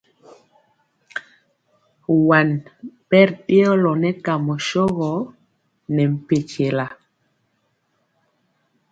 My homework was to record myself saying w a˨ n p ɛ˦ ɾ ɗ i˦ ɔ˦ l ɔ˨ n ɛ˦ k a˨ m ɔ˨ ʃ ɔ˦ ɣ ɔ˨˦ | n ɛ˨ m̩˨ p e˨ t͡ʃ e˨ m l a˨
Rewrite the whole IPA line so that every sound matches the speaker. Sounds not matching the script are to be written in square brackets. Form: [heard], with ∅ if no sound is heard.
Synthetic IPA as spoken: w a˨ n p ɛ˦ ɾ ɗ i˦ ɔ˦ l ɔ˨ n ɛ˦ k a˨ m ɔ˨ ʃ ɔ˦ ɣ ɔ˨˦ | n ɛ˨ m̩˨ p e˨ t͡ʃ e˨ [∅] l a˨